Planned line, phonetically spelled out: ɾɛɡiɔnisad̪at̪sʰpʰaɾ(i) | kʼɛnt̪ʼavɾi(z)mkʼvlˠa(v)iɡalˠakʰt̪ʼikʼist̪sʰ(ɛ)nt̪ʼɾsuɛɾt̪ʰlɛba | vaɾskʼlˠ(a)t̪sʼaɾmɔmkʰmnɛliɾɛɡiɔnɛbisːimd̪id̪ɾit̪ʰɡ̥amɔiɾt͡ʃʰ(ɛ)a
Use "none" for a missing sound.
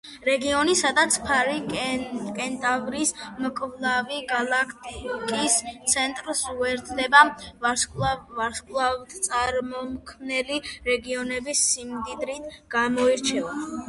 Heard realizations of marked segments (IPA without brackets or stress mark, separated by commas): i, s, v, ɛ, a, ɛ